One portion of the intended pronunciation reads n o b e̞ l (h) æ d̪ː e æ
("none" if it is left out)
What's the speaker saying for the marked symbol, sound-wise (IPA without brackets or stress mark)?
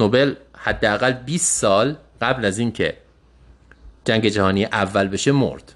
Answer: h